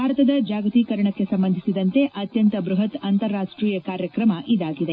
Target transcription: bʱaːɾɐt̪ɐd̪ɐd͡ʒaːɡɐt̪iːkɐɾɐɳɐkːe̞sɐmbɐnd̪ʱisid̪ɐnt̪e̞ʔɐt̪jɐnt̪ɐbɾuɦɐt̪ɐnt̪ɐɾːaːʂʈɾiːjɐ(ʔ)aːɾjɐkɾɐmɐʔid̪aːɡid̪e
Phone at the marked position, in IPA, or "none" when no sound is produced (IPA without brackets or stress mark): k